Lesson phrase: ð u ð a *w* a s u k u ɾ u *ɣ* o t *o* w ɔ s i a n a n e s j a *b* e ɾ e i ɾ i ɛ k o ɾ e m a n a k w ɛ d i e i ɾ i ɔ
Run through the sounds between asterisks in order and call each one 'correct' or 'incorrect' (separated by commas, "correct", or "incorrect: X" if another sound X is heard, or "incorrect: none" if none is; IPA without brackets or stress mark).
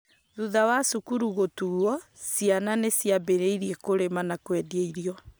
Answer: correct, correct, incorrect: u, correct